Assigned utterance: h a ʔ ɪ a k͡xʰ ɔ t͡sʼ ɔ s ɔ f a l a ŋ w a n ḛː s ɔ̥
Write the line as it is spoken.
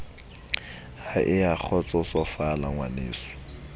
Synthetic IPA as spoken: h a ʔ ɪ a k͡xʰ ɔ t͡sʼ ɔ s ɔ f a l a ŋ w a n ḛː s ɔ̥

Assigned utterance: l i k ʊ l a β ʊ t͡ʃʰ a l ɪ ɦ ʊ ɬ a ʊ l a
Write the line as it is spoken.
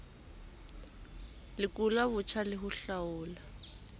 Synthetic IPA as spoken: l ɪ k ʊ l a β ʊ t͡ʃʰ a l ɪ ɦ ʊ ɬ a ʊː l a

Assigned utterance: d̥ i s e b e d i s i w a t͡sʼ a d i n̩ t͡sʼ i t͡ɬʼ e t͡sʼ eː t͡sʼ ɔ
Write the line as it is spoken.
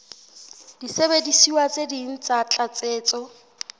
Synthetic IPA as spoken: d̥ i s e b e d i s i w a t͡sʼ e d i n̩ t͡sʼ a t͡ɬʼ a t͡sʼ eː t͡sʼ ɔ

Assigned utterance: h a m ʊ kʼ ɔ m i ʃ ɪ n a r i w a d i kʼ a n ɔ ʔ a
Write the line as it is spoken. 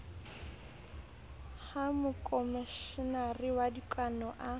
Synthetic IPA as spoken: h a m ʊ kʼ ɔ m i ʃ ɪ n a r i w a d i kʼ a n ɔ ʔ a

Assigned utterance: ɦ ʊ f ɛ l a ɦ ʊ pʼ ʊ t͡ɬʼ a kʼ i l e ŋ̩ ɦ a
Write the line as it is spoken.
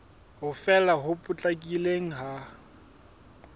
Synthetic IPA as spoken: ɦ ʊ f ɛ l a ɦ ʊ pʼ ʊ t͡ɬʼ a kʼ i l e ŋ̩ ɦ a

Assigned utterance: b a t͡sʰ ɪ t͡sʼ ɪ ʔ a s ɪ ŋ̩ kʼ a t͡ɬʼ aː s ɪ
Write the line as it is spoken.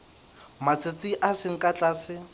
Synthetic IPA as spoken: m a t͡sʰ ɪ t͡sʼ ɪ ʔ a s ɪ ŋ̩ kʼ a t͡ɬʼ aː s ɪ

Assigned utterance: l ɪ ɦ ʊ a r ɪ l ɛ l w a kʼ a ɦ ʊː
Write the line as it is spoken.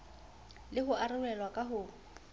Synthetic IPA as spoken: l ɪ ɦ ʊ a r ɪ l ɛ l w a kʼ a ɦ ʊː

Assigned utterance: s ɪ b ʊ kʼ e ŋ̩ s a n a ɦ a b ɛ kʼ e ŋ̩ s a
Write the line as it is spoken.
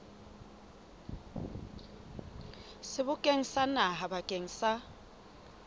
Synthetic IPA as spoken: s ɪ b ʊ kʼ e ŋ̩ s a n a ɦ a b a kʼ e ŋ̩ s a

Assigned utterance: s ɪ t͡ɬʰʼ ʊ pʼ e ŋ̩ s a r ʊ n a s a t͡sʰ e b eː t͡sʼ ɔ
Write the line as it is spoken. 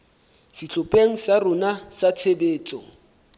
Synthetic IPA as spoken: s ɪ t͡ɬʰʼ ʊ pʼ e ŋ̩ s a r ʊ n a s a t͡sʰ e b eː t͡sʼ ɔ

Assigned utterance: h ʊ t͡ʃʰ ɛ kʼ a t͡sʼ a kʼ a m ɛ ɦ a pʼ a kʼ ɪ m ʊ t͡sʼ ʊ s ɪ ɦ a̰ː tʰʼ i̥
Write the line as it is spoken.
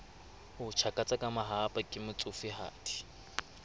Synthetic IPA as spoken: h ʊ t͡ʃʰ a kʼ a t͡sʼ a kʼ a m a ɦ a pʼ a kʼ ɪ m ʊ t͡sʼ ʊ f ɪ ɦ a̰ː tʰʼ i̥

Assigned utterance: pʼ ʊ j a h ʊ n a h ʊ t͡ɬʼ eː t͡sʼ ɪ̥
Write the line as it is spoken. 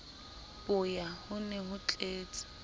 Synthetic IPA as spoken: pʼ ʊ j a h ʊ n ɛ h ʊ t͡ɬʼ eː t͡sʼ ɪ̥

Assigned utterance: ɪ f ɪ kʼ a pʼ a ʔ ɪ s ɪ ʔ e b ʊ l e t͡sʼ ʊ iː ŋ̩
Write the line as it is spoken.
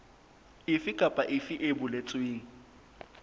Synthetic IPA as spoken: ɪ f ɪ kʼ a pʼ a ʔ ɪ f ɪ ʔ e b ʊ l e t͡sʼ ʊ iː ŋ̩

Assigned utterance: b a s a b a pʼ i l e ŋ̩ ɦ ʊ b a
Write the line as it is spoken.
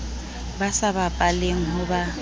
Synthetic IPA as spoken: b a s a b a pʼ a l e ŋ̩ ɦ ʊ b a

